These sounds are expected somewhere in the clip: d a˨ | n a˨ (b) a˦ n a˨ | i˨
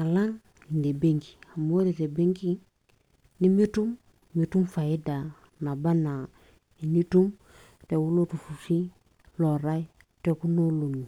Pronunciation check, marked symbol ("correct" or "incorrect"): correct